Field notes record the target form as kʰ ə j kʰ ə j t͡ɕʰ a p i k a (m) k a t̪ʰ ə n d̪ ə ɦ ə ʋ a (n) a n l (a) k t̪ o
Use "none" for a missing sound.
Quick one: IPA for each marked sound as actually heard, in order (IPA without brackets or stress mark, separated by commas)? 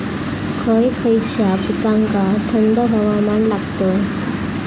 ŋ, m, a